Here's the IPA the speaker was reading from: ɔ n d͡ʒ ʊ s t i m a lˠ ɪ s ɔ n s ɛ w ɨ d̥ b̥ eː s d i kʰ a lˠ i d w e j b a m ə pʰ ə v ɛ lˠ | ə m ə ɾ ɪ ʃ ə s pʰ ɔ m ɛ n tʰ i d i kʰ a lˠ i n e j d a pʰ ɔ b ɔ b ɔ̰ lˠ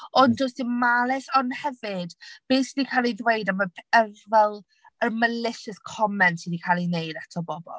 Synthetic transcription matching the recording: ɔ n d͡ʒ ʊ s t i m a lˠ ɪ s ɔ n h ɛ v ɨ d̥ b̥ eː s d i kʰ a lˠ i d w e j d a m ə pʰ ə v ɛ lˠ | ə m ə l ɪ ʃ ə s kʰ ɔ m ɛ n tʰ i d i kʰ a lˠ i n e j d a tʰ ɔ b ɔ b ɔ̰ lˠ